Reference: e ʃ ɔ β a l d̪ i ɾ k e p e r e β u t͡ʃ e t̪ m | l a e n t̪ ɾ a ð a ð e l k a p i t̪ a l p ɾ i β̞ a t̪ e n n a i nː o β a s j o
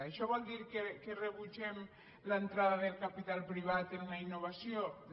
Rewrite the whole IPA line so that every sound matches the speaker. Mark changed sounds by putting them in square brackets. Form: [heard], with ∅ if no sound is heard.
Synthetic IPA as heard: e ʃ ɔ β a l d̪ i ɾ k e [k] e r e β u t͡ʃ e [∅] m | l a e n t̪ ɾ a ð a ð e l k a p i t̪ a l p ɾ i β̞ a t̪ e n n a i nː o β a s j o